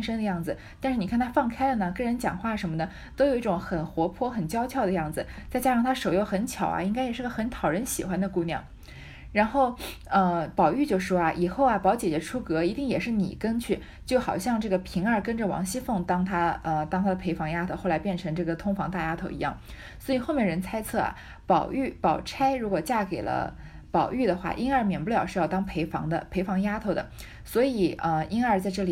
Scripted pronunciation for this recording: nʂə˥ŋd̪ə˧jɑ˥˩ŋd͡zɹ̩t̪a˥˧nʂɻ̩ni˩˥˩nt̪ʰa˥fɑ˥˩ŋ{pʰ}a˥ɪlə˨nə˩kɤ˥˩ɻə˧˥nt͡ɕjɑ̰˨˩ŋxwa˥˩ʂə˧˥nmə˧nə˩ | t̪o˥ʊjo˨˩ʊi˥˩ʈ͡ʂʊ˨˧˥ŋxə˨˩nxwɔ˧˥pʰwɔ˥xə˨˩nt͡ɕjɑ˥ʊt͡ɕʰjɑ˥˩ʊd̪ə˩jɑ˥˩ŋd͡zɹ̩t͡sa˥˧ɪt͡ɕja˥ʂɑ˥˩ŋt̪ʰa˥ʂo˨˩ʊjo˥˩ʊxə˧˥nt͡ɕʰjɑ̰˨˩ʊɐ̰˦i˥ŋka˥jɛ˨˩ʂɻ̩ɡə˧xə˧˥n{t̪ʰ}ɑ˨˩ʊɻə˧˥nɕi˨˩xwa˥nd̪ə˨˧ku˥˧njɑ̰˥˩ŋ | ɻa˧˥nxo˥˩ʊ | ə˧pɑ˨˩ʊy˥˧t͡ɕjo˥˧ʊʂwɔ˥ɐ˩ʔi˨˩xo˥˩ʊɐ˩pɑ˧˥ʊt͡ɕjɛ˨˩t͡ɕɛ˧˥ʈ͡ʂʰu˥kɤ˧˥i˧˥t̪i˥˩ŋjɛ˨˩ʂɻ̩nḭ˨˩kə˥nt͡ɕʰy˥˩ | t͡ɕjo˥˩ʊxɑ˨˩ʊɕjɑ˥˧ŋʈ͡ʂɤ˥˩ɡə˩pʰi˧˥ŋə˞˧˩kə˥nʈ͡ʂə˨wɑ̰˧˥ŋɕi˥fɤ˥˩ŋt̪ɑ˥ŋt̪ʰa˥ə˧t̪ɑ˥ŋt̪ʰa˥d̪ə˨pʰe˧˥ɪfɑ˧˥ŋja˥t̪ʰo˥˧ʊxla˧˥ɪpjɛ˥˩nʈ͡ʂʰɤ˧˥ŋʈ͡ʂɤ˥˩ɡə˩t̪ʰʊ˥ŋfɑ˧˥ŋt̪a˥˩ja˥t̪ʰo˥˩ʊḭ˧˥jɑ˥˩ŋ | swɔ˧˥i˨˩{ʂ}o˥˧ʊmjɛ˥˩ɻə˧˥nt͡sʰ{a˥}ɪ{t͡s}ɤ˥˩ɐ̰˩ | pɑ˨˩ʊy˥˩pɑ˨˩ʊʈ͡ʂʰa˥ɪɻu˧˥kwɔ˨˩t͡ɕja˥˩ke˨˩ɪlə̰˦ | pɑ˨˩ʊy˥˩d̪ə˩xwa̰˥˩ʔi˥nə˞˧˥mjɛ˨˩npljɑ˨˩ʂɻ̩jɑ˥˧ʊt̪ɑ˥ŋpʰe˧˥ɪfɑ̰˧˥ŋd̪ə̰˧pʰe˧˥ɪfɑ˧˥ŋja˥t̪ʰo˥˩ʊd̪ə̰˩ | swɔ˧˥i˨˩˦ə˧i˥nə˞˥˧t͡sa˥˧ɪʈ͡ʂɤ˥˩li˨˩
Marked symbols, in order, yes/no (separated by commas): no, yes, no, yes, no